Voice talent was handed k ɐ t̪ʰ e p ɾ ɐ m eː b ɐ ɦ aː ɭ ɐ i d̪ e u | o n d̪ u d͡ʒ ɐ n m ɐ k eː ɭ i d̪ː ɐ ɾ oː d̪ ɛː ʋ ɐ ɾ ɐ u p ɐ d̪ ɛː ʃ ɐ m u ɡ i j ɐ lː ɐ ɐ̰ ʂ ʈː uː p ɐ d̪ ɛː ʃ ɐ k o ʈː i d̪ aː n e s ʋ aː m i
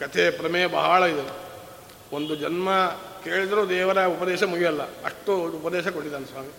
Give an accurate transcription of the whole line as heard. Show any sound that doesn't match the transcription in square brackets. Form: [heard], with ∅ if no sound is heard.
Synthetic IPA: k ɐ t̪ʰ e p ɾ ɐ m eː b ɐ ɦ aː ɭ ɐ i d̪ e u | o n d̪ u d͡ʒ ɐ n m ɐ k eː ɭ i [d̪] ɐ ɾ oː d̪ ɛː ʋ ɐ ɾ ɐ u p ɐ d̪ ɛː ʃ ɐ m u ɡ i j ɐ lː ɐ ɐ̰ ʂ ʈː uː p ɐ d̪ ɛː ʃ ɐ k o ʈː i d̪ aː n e s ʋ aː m i